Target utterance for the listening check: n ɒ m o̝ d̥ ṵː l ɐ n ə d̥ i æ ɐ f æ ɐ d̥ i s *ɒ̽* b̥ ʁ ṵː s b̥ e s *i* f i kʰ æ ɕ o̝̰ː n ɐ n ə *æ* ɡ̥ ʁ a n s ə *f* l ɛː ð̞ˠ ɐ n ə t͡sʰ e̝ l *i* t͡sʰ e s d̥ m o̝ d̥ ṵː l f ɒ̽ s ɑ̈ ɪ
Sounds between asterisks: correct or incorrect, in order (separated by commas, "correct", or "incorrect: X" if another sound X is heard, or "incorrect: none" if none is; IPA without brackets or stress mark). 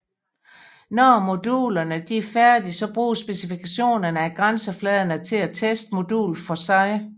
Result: correct, correct, correct, correct, incorrect: æ